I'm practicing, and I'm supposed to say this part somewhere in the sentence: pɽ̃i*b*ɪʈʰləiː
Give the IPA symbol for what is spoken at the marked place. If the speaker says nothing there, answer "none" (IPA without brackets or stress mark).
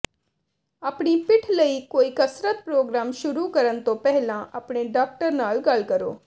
p